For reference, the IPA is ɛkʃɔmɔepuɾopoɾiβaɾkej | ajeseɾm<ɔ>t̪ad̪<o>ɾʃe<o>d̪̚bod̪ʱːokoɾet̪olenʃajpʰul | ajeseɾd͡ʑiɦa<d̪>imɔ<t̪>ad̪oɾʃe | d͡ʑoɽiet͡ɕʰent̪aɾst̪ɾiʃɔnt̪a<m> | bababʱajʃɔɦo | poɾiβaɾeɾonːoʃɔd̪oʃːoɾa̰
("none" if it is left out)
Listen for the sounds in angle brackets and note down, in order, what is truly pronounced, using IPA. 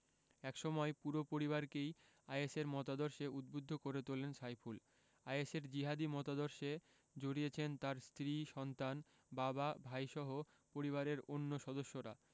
ɔ, o, u, d̪, t̪, n

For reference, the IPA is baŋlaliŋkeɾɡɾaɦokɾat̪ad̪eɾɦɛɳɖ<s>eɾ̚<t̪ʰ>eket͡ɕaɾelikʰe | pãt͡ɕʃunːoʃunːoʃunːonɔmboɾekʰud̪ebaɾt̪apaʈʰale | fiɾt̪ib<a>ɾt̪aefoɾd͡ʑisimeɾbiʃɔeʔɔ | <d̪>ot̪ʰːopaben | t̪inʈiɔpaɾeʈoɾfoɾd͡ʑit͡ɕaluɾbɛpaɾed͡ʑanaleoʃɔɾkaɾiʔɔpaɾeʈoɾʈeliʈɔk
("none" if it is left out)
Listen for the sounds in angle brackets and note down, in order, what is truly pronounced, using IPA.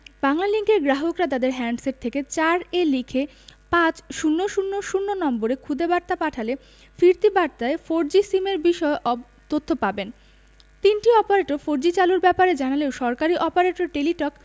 s, t̪ʰ, a, t̪

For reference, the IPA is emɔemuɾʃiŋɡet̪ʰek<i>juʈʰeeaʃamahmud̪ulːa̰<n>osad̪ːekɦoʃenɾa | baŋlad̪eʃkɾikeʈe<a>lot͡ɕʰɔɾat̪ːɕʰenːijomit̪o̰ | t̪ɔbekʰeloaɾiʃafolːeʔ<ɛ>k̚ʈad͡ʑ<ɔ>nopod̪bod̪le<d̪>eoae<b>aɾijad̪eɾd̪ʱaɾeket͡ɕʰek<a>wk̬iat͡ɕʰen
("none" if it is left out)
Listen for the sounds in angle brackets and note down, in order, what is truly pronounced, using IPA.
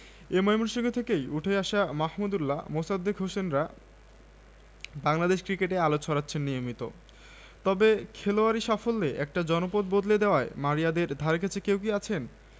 e, m, a, ɛ, ɔ, d̪, m, e

